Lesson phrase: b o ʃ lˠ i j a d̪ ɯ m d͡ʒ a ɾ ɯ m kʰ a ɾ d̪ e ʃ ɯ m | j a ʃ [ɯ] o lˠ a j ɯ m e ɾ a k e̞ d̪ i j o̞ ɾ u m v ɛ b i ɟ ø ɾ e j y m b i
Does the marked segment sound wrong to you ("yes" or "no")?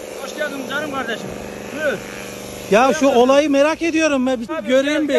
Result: yes